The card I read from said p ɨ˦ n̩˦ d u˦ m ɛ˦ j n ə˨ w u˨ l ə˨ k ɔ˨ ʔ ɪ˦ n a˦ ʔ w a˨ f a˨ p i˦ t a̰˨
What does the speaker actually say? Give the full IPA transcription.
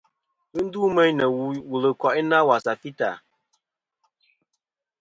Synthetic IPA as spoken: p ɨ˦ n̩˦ d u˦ m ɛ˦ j n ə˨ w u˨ l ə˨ k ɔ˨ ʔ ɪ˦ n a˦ w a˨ s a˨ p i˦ t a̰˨